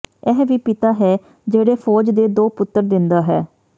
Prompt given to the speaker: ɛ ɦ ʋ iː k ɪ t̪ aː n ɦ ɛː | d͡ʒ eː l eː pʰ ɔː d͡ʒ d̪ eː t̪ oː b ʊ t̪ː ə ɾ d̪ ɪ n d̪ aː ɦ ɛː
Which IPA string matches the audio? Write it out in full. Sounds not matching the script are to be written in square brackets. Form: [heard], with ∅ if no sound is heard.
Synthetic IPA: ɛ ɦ ʋ iː [p] ɪ t̪ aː [∅] ɦ ɛː | d͡ʒ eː [ɽ] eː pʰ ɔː d͡ʒ d̪ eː [d̪] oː [p] ʊ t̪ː ə ɾ d̪ ɪ n d̪ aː ɦ ɛː